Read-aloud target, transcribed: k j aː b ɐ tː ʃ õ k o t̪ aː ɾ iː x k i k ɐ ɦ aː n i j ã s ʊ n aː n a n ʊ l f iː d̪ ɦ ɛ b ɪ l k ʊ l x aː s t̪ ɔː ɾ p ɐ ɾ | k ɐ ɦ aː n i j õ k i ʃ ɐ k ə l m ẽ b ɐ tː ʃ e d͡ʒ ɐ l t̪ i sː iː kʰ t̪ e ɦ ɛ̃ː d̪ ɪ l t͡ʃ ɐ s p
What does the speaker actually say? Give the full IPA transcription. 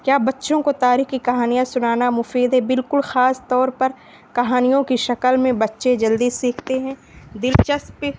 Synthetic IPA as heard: k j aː b ɐ tː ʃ õ k o t̪ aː ɾ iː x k i k ɐ ɦ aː n i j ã s ʊ n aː n a m ʊ f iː d̪ ɦ ɛ b ɪ l k ʊ l x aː s t̪ ɔː ɾ p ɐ ɾ | k ɐ ɦ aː n i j õ k i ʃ ɐ k ə l m ẽ b ɐ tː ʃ e d͡ʒ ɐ l d̪ i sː iː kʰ t̪ e ɦ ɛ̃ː d̪ ɪ l t͡ʃ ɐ s p